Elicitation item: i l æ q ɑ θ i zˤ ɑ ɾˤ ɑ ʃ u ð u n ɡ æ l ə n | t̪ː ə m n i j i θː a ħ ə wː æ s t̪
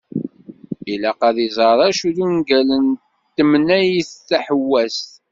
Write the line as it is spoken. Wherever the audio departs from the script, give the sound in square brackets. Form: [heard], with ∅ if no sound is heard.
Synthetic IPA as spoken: i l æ q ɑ [ð] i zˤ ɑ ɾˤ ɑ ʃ u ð u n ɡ æ l ə n | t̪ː ə m n [æ] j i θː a ħ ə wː æ s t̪